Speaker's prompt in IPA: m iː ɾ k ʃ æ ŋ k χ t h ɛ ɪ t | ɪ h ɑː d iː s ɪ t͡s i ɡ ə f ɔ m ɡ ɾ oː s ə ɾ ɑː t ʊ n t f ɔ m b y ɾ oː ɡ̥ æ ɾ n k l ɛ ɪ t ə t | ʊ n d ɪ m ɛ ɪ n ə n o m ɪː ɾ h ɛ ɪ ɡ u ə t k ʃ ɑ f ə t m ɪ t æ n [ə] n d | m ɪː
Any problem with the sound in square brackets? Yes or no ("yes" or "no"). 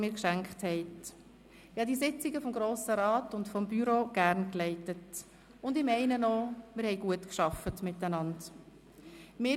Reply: yes